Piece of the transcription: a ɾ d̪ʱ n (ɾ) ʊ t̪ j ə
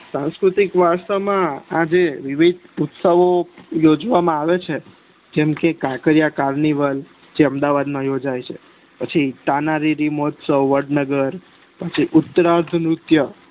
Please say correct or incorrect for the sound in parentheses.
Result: correct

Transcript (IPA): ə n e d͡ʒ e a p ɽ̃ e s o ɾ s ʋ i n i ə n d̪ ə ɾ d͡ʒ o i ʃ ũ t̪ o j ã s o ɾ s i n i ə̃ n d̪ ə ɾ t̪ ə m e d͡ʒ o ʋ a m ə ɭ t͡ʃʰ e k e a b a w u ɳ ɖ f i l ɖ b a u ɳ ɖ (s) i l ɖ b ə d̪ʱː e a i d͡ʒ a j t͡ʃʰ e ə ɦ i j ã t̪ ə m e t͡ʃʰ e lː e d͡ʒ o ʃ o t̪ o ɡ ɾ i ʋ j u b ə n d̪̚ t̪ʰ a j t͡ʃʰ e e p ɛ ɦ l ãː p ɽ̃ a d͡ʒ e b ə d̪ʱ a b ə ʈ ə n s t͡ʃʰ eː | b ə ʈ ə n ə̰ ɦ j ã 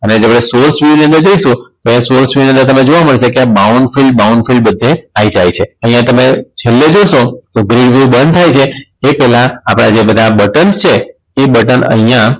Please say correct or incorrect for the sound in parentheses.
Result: incorrect: f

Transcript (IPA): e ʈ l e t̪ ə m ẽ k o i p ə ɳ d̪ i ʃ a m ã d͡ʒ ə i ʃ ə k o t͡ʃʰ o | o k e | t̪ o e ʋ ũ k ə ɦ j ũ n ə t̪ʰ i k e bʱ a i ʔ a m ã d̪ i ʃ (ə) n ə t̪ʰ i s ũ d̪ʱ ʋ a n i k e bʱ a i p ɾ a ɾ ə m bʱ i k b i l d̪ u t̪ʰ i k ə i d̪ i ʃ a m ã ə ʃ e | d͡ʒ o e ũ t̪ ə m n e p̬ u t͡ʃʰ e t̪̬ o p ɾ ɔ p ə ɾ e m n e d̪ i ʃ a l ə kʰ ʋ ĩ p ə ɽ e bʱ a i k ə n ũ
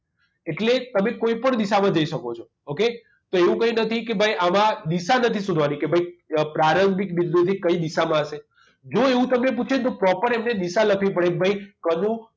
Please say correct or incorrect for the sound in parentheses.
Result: incorrect: a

